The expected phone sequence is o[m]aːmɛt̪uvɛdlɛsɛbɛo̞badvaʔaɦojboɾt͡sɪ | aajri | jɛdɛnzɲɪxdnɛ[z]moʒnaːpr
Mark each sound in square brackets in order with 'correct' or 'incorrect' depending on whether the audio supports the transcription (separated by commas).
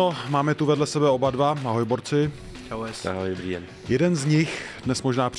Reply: correct, incorrect